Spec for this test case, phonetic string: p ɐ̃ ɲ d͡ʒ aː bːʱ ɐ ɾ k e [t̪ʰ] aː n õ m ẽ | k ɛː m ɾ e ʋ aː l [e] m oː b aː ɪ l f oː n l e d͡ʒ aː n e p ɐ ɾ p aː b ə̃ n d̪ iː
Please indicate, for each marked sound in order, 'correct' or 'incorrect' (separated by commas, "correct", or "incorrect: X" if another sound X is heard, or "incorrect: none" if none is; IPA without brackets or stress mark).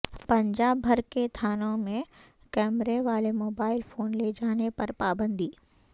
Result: correct, correct